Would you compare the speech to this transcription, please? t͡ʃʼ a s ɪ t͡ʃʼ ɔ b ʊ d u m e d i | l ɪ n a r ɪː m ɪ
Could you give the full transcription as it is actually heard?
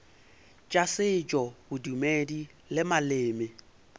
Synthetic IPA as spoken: t͡ʃʼ a s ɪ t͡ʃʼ ɔ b ʊ d u m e d i | l ɪ m a l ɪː m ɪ

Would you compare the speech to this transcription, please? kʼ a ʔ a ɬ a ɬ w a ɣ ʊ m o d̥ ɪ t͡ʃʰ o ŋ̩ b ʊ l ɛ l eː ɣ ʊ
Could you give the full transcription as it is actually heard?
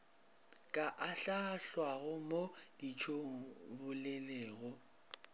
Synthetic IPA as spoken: kʼ a ʔ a ɬ a ɬ w a ɣ ʊ m o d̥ i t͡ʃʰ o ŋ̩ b ʊ l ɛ l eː ɣ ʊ

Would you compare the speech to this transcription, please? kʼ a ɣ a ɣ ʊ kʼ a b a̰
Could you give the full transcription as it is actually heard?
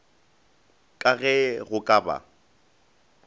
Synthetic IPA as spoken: kʼ a ɣ ɛ ɣ ʊ kʼ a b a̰

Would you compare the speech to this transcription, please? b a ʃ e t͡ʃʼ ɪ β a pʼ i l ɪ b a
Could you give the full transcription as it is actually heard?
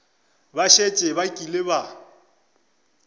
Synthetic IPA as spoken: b a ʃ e t͡ʃʼ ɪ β a kʼ i l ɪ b a

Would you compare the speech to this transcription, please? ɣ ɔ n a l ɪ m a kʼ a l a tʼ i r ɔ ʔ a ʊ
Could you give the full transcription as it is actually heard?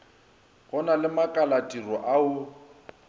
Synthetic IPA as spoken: ɣ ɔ n a l ɪ m a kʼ a l a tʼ i r ɔ ʔ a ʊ

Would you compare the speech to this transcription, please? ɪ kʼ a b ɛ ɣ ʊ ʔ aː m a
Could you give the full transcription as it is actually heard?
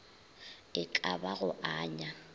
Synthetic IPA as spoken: ɪ kʼ a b a ɣ ʊ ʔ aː ɲ a

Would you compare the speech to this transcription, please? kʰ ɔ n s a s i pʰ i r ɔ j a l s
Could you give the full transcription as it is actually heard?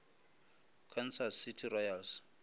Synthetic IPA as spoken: kʰ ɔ n s a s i tʰ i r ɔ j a l s

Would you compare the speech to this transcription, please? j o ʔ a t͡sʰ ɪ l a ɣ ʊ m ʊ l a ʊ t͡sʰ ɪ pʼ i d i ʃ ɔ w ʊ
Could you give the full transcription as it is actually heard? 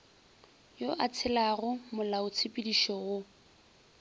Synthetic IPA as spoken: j o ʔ a t͡sʰ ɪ l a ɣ ʊ m ʊ l a ʊ t͡sʰ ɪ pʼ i d i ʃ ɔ ɣ ʊ

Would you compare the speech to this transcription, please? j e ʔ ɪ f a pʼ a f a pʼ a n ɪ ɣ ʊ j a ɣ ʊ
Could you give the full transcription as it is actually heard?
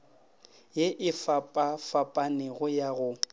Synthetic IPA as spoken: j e ʔ ɪ f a pʼ a f a pʼ a n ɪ ɣ ʊ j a ɣ ʊ

